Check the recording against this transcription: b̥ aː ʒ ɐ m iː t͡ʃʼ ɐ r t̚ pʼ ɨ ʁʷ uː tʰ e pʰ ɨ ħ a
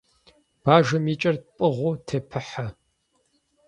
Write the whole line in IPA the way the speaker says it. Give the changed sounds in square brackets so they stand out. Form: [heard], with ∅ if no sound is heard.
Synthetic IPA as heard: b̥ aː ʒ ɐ m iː t͡ʃʼ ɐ r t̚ pʼ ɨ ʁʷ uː tʰ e pʰ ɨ ħ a